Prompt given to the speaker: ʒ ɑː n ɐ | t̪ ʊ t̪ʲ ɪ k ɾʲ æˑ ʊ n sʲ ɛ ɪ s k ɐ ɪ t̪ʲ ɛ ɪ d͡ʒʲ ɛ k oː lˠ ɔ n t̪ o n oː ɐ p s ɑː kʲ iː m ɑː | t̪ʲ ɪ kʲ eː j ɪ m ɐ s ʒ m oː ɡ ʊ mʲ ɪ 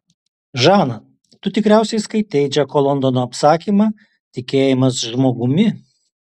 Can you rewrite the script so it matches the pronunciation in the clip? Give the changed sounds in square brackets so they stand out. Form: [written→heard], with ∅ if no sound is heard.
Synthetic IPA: ʒ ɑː n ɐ | t̪ ʊ t̪ʲ ɪ k ɾʲ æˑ ʊ [n→∅] sʲ ɛ ɪ s k ɐ ɪ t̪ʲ ɛ ɪ d͡ʒʲ ɛ k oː lˠ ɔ n [t̪→d̪] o n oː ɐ p s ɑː kʲ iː m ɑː | t̪ʲ ɪ kʲ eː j ɪ m ɐ s ʒ m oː ɡ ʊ mʲ ɪ